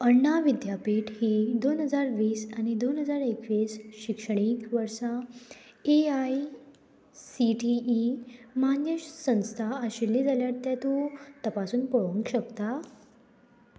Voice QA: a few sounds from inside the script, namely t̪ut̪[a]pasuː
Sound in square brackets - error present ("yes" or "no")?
yes